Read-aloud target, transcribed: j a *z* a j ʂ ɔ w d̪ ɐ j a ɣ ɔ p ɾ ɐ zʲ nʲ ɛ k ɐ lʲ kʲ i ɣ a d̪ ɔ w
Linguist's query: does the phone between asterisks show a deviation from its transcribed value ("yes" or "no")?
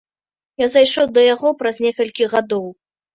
no